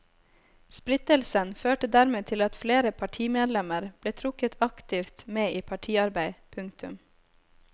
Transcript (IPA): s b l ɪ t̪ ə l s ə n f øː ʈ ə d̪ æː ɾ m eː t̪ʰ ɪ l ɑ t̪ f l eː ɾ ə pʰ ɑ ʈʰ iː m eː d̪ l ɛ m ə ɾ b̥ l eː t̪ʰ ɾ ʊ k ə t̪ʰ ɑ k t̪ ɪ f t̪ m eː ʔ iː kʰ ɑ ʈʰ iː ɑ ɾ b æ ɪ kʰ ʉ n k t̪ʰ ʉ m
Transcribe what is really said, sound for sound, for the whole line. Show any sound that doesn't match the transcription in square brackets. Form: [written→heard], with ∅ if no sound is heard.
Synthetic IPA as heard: s [b→p] l ɪ t̪ ə l s ə n f øː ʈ ə d̪ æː ɾ m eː t̪ʰ ɪ l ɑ t̪ f l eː ɾ ə pʰ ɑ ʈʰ iː m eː d̪ l ɛ m ə ɾ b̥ l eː t̪ʰ ɾ ʊ k ə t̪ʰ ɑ k t̪ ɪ f t̪ m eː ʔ iː [kʰ→pʰ] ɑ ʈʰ iː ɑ ɾ b æ ɪ [kʰ→pʰ] ʉ [n→ŋ] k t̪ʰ ʉ m